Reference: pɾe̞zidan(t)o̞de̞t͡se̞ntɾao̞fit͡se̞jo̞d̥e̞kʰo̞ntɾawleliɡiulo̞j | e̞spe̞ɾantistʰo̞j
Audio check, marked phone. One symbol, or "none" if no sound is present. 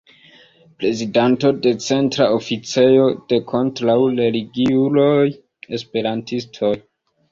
t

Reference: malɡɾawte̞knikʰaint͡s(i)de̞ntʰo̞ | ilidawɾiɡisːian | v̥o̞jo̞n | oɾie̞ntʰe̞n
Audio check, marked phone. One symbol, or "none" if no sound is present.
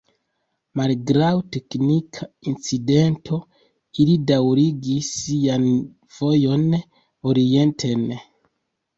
i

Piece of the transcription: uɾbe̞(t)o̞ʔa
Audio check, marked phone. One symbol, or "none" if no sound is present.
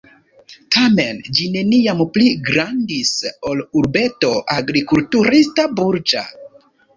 t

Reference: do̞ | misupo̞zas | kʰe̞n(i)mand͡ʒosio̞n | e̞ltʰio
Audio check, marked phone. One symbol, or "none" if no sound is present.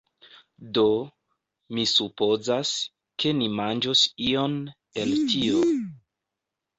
i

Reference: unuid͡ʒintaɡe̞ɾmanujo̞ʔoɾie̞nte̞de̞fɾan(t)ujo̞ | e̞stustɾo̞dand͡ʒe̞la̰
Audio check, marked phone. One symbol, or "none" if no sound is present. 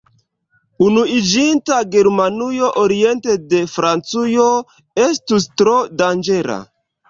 t͡s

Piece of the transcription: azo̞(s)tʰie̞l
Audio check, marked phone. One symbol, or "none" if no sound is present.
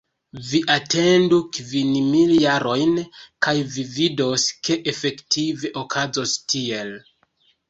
s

